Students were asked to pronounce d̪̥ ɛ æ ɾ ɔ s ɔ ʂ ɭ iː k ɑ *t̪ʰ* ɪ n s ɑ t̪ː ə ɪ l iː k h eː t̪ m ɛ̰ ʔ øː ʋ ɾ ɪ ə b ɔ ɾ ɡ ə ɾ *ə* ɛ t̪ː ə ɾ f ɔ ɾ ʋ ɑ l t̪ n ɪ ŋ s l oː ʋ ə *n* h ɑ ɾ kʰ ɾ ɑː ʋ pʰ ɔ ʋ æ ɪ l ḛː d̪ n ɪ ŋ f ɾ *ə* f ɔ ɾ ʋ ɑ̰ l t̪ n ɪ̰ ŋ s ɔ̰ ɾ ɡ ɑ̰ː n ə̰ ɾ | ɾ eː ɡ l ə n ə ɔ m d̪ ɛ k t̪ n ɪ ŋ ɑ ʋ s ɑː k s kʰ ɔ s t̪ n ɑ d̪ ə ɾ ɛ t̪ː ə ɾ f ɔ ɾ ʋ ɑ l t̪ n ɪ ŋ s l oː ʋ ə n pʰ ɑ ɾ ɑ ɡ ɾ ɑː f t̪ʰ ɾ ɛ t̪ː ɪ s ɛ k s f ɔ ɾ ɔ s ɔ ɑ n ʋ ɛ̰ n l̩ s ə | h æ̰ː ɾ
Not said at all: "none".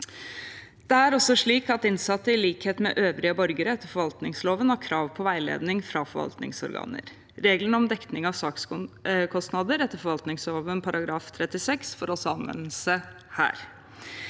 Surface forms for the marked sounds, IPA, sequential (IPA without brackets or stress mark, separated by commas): t̪, ə, n, ɑ